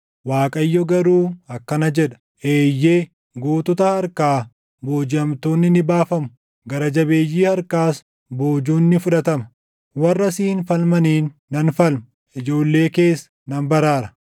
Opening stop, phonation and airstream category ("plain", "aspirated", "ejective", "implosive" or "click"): ejective